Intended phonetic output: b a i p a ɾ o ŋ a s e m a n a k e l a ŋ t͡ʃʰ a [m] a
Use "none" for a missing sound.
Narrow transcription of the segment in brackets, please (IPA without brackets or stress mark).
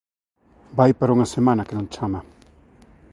m